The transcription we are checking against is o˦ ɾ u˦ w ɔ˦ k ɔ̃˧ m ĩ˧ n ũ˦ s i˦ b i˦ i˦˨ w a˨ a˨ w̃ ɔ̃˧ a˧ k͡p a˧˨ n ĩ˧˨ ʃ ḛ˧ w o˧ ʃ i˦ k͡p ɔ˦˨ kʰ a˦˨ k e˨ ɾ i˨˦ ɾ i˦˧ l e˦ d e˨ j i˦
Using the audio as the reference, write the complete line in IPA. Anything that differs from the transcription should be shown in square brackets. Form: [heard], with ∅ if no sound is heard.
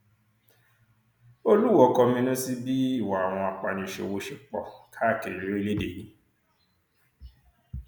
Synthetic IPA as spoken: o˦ [l] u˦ w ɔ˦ k [ɔ˧] m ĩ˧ n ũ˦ s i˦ b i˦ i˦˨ w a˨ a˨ w̃ ɔ̃˧ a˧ k͡p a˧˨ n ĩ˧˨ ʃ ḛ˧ w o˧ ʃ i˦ k͡p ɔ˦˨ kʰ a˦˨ k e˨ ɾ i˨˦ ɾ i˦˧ l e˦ d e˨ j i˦

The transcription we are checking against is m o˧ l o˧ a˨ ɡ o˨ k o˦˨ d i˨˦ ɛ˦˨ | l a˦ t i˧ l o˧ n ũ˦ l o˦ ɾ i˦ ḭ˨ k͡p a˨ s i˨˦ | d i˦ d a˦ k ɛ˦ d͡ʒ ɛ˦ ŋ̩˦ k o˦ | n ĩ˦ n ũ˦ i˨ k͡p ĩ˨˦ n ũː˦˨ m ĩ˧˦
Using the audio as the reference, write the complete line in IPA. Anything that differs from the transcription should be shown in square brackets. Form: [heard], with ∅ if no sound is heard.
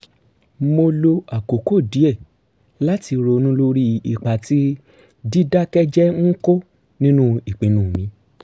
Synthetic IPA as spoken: m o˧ l o˧ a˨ [k] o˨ k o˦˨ d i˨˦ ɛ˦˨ | l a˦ t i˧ [ɾ] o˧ n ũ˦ l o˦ ɾ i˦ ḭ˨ k͡p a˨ [t] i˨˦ | d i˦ d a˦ k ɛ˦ d͡ʒ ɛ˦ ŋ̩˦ k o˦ | n ĩ˦ n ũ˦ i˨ k͡p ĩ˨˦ n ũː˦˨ m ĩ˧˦

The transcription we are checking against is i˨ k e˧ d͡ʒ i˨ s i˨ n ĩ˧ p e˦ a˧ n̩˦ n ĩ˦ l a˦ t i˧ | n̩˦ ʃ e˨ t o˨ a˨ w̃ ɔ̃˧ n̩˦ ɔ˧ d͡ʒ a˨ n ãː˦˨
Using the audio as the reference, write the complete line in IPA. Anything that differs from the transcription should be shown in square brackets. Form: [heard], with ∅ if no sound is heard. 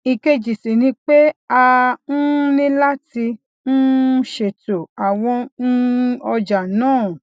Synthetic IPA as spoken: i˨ k e˧ d͡ʒ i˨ s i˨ n ĩ˧ [k͡p] e˦ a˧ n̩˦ n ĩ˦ l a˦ t i˧ | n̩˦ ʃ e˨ t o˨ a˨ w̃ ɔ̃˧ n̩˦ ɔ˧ d͡ʒ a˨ n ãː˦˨

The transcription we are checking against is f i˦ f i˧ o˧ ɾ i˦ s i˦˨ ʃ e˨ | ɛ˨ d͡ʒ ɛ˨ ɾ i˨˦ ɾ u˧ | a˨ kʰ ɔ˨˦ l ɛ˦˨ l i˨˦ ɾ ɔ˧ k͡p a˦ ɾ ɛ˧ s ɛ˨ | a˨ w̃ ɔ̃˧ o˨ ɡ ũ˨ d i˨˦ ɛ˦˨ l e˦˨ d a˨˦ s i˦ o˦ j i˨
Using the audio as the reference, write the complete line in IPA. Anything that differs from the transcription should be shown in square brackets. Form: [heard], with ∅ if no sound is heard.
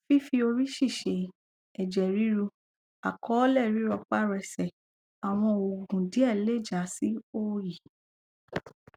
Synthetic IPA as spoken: f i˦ f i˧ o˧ ɾ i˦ [ʃ] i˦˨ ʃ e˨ | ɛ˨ d͡ʒ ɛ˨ ɾ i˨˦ ɾ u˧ | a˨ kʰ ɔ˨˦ l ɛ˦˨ [ɾ] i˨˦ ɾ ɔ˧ k͡p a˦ ɾ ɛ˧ s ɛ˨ | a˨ w̃ ɔ̃˧ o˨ ɡ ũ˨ d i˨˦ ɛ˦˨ l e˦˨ [d͡ʒ] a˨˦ s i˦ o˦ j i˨

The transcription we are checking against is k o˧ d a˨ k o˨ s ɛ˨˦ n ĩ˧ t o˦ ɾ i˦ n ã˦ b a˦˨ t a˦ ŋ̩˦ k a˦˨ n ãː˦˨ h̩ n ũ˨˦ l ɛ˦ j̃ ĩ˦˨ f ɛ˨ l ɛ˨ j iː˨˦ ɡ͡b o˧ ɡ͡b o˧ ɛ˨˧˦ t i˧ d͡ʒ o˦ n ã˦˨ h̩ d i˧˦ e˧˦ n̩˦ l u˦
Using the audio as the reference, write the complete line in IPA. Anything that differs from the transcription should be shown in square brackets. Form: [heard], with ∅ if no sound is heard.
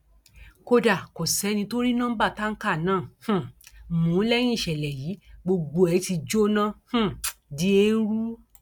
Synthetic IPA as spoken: k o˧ d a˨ k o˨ s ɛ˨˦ n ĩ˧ t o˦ ɾ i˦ n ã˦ b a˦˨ t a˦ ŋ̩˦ k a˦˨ n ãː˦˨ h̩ [m] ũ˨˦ l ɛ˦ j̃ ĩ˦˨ [ʃ] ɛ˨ l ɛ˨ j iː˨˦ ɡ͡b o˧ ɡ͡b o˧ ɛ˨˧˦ t i˧ d͡ʒ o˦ n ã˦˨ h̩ d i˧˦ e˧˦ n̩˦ [ɾ] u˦

